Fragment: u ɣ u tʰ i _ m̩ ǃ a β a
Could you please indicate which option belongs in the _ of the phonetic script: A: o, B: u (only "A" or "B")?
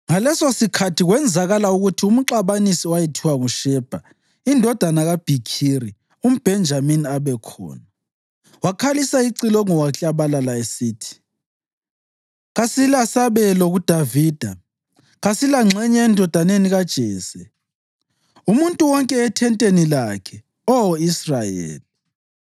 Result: B